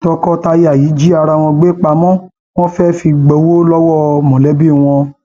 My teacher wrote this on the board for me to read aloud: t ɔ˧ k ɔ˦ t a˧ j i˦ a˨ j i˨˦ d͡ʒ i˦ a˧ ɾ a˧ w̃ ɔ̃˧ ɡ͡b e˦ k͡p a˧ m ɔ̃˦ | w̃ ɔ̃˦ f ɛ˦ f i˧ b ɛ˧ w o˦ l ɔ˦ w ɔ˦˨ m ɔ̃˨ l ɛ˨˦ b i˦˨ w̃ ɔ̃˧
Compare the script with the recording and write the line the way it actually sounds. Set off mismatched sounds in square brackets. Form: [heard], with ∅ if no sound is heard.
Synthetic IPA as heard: t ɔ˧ k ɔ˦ t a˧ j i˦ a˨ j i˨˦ d͡ʒ i˦ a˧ ɾ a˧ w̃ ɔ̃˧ ɡ͡b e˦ k͡p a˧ m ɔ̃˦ | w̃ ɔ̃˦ f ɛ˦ f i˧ [ɡ͡b] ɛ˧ w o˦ l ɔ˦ w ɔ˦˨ m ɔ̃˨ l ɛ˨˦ b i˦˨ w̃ ɔ̃˧